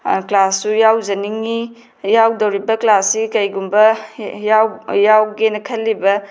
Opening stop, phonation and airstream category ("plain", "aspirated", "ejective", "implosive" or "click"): plain